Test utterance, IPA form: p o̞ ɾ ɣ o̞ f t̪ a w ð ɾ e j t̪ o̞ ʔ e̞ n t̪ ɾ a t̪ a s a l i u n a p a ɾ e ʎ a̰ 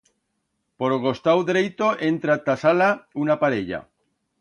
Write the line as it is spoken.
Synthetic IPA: p o̞ ɾ ɣ o̞ s t̪ a w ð ɾ e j t̪ o̞ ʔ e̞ n t̪ ɾ a t̪ a s a l a u n a p a ɾ e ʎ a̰